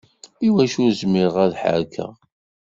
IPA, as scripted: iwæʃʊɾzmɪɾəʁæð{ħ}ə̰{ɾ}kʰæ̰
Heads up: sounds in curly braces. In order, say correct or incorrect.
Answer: correct, correct

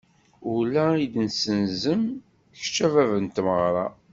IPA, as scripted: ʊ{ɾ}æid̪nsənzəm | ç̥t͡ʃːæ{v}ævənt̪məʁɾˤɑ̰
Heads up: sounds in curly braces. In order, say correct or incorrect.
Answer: incorrect, correct

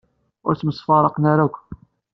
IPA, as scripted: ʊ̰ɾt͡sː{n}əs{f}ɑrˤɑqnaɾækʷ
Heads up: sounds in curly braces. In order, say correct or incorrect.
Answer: incorrect, correct

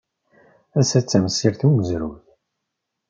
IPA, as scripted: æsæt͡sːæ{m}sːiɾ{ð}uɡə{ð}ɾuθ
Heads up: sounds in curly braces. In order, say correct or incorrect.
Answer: correct, incorrect, incorrect

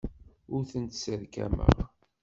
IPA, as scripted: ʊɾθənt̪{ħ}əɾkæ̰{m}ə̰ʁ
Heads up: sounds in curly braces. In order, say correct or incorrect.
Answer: incorrect, correct

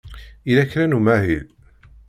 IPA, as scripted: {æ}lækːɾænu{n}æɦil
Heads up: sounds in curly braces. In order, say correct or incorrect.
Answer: incorrect, incorrect

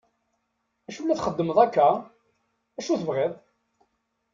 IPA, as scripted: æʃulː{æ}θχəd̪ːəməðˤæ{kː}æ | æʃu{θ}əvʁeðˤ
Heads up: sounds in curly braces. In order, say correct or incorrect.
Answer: correct, correct, correct

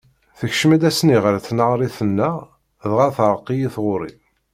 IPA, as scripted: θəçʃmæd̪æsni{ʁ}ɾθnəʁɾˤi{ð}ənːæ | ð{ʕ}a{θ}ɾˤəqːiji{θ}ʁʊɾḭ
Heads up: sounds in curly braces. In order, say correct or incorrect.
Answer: correct, incorrect, incorrect, correct, correct

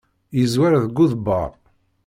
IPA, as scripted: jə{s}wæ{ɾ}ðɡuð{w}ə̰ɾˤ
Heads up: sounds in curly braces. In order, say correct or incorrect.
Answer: incorrect, correct, incorrect

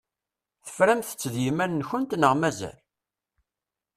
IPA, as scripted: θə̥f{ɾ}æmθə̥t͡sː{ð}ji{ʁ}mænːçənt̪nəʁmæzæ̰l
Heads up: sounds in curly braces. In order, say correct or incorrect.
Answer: correct, correct, incorrect

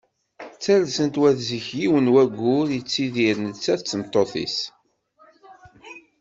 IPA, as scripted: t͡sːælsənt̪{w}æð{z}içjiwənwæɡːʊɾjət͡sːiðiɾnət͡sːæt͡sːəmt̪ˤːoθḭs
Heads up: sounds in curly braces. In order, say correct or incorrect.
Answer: correct, correct

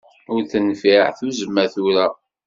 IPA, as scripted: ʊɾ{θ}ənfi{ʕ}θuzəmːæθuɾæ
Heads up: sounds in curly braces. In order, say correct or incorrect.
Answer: correct, correct

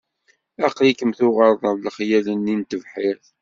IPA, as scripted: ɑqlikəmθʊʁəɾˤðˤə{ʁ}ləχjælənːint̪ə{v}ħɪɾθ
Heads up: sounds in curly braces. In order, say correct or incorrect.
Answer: incorrect, correct

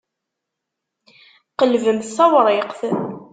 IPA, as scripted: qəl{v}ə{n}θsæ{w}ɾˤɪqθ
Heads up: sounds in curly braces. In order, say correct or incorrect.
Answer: correct, incorrect, correct

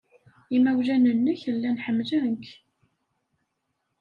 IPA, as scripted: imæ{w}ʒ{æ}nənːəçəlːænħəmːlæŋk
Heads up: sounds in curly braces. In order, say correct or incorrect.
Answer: correct, correct

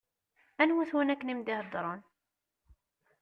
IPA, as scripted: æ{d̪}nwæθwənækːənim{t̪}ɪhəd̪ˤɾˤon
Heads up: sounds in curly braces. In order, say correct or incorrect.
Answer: incorrect, incorrect

